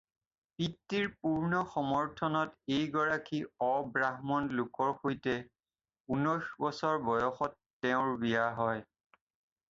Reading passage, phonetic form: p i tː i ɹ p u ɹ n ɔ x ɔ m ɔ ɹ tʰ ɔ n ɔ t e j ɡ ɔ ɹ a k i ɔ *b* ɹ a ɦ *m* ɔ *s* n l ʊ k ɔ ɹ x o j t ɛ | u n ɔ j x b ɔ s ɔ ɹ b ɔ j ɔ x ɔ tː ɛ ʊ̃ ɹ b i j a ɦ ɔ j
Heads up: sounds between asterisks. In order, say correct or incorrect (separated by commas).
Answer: correct, correct, incorrect